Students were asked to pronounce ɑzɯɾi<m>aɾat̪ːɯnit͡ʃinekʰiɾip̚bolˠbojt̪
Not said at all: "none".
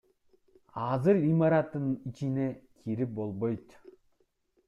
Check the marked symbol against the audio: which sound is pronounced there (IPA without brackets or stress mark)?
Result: m